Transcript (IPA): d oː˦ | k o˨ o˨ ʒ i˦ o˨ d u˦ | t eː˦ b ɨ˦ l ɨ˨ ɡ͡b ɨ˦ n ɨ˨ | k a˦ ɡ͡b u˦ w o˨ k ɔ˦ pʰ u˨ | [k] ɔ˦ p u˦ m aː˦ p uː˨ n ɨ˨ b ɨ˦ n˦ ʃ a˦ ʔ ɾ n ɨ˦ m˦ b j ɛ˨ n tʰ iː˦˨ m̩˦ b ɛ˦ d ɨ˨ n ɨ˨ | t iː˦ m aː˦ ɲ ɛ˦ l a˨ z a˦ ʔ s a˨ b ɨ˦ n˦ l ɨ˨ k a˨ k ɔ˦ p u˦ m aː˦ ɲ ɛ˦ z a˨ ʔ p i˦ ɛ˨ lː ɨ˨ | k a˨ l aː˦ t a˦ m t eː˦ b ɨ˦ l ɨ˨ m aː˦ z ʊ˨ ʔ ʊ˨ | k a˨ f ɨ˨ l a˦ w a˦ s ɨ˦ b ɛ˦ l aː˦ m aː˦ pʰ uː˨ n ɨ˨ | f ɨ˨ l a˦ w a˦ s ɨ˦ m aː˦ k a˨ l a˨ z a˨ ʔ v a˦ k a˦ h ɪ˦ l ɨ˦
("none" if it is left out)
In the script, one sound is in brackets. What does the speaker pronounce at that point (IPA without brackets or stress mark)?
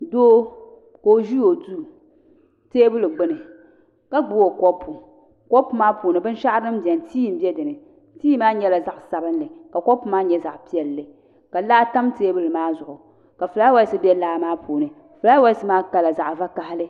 k